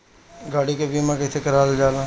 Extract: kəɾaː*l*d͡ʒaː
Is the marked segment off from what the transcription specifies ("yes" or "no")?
no